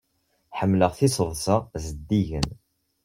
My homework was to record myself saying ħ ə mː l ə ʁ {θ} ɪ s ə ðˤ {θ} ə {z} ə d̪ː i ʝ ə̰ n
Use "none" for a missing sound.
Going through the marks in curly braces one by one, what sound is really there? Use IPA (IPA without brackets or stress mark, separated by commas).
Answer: θ, s, z